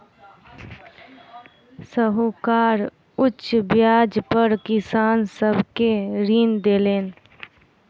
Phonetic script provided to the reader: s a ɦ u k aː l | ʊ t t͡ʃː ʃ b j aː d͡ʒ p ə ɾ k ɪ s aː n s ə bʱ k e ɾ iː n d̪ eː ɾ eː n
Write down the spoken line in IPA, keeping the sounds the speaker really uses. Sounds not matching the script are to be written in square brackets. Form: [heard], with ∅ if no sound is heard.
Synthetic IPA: s [ə] ɦ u k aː [ɾ] | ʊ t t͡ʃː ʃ b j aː d͡ʒ p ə ɾ k ɪ s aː n s ə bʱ k e ɾ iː n d̪ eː [l] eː n